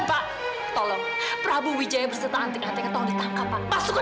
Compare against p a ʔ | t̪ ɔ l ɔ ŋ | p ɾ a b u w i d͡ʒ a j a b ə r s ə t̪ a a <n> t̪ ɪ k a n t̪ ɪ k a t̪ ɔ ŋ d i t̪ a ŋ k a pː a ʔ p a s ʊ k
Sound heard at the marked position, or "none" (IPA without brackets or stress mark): n